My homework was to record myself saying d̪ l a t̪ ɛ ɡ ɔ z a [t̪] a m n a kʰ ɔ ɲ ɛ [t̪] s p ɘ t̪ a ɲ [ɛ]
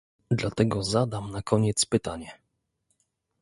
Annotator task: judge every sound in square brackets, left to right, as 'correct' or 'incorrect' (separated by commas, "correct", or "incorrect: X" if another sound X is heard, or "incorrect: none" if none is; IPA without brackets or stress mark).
incorrect: d̪, correct, correct